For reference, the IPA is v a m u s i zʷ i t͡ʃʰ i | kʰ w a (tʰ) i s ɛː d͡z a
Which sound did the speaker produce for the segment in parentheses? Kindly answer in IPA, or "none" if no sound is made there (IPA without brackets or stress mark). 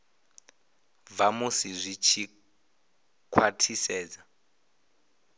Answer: tʰ